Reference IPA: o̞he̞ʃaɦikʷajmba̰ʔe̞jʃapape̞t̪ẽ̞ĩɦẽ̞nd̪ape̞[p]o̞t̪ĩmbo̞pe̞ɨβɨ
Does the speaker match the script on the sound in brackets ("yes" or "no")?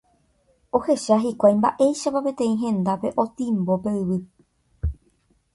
no